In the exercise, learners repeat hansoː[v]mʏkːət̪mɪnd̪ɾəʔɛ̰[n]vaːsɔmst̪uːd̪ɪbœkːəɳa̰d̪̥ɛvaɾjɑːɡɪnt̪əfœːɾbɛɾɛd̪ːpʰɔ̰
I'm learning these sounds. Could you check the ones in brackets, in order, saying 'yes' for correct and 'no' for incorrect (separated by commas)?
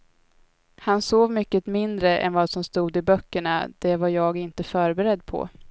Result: yes, yes